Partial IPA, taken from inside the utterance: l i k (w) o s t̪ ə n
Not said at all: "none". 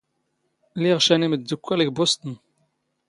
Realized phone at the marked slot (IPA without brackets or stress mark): b